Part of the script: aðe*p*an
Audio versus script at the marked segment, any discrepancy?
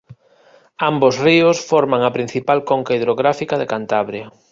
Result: yes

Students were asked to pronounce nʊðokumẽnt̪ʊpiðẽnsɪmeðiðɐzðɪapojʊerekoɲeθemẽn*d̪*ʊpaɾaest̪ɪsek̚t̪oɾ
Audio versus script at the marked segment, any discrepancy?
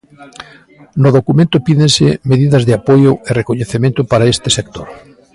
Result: yes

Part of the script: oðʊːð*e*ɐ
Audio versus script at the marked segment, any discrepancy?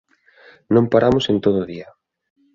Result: yes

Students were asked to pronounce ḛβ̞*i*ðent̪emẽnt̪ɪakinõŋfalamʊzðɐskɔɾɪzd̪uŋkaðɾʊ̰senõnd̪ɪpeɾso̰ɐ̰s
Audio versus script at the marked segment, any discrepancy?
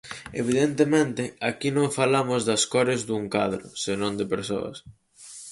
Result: no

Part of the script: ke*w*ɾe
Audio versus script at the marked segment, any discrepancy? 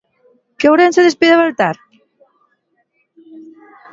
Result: no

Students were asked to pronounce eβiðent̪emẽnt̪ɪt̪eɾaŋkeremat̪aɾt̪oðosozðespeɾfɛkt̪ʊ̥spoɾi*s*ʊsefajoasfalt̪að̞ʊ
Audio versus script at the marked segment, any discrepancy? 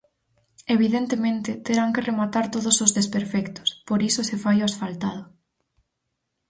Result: no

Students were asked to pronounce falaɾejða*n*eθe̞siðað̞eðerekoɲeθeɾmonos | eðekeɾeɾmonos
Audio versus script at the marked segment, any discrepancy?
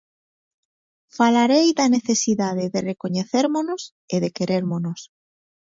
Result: no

